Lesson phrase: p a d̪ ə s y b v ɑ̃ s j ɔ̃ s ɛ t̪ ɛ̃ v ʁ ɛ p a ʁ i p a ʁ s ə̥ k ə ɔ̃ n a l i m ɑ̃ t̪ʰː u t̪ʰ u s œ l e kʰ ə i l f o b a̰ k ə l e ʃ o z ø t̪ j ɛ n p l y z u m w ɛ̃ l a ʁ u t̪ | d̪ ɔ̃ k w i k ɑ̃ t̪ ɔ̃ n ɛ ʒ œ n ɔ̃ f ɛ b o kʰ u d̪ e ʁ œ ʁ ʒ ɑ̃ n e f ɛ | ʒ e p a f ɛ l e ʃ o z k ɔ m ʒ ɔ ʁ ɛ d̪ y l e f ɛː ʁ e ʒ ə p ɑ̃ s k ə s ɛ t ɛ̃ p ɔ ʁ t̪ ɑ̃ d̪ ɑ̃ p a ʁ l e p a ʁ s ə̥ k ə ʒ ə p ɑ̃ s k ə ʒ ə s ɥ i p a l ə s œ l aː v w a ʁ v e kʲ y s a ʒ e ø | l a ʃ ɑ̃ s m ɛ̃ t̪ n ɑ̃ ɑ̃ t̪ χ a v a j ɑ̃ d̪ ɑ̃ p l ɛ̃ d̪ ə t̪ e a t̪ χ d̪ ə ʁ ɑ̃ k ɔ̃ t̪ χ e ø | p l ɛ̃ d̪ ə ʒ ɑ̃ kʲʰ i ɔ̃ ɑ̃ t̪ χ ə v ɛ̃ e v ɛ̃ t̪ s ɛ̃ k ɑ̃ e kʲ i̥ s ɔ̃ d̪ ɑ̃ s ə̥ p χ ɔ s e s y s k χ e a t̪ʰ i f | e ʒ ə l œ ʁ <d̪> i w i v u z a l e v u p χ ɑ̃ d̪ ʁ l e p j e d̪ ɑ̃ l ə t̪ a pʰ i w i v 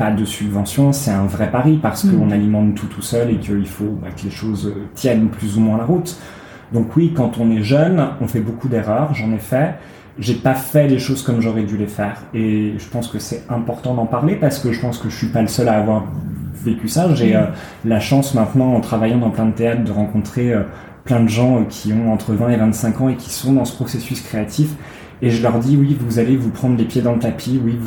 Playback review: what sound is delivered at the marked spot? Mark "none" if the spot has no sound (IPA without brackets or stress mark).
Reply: d̪